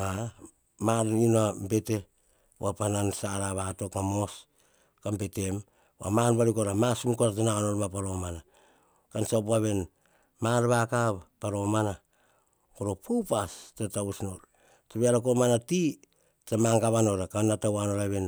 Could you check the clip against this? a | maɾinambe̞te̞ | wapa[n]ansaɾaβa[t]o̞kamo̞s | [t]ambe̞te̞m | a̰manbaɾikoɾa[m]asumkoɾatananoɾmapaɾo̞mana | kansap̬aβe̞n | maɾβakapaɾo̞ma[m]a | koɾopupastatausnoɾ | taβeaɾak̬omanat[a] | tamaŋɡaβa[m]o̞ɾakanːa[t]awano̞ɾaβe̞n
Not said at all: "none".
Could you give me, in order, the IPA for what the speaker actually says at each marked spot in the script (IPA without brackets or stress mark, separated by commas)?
n, t, k, m, n, i, n, t